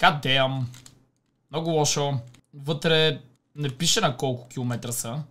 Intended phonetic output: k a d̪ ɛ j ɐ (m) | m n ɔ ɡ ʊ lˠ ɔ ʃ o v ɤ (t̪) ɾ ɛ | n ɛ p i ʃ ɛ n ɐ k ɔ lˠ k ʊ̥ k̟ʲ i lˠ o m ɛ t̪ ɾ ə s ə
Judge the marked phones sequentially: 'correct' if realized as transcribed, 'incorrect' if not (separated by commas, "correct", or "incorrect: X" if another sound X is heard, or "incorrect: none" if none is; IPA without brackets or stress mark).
correct, correct